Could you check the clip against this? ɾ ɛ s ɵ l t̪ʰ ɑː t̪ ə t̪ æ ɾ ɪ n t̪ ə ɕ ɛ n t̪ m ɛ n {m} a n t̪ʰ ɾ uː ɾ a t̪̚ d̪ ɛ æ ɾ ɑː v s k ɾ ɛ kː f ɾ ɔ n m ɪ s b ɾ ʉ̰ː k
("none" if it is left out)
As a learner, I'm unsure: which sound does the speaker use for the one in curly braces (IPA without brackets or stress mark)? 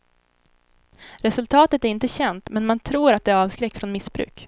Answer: m